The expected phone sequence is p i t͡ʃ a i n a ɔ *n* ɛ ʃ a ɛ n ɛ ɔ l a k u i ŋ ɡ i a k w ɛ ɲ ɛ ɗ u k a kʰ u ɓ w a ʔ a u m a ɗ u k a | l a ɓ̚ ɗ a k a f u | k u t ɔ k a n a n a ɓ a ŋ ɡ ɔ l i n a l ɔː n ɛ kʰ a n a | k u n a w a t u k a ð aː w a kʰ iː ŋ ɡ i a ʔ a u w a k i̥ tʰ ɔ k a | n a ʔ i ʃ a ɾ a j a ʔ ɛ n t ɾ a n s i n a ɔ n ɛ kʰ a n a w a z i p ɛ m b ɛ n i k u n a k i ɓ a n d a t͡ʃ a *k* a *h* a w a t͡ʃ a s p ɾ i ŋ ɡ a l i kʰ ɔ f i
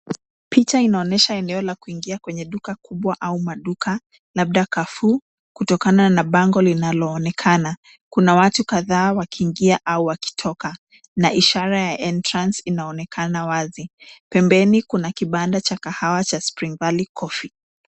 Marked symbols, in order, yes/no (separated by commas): yes, yes, yes